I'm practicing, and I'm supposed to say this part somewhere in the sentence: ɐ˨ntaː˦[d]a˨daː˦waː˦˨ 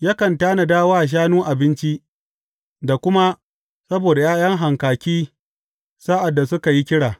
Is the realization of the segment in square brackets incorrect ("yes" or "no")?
yes